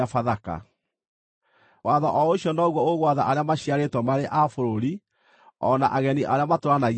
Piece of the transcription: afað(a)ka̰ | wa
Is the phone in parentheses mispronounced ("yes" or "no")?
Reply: no